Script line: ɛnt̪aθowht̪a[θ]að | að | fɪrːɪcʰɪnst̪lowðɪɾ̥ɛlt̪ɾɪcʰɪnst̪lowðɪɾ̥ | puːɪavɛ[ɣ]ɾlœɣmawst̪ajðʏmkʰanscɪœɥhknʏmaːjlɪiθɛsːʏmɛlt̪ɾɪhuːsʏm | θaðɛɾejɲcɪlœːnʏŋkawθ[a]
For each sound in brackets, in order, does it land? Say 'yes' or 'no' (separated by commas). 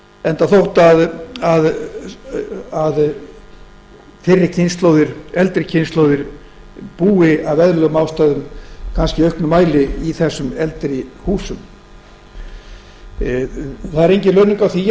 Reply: no, no, no